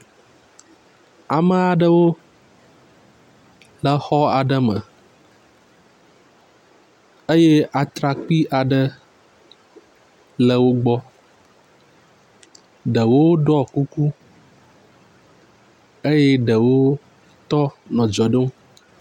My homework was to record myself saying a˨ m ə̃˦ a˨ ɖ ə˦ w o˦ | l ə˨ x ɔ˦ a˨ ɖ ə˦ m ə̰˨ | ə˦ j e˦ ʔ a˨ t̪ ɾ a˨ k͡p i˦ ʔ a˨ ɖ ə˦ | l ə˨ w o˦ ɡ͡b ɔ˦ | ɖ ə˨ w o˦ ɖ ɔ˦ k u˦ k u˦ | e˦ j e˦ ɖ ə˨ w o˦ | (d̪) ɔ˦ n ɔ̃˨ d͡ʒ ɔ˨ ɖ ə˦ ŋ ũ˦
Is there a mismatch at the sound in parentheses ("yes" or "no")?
yes